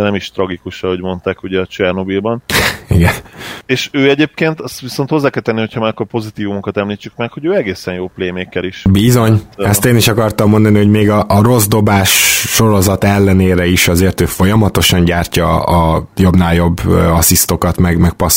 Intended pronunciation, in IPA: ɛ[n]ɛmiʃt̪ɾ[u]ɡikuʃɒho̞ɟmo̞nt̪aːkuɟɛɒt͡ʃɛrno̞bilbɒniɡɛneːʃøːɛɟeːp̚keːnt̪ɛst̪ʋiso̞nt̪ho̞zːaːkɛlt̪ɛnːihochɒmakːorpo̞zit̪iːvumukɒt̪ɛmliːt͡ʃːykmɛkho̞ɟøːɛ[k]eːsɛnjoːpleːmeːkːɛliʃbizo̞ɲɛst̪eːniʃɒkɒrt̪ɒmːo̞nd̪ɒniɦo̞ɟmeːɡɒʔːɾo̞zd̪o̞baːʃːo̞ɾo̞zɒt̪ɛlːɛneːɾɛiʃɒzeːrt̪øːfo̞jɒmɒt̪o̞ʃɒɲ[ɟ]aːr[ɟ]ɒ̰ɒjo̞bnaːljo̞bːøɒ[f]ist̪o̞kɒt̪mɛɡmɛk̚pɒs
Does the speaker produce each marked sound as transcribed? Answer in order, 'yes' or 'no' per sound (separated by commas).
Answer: yes, no, no, yes, no, no